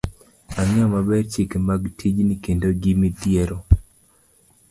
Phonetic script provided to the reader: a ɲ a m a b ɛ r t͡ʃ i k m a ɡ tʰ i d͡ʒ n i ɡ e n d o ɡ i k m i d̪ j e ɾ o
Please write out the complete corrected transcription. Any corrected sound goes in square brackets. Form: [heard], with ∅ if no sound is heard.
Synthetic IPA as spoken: a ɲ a m a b ɛ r t͡ʃ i k m a ɡ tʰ i d͡ʒ n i [k] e n d o ɡ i [∅] m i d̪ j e ɾ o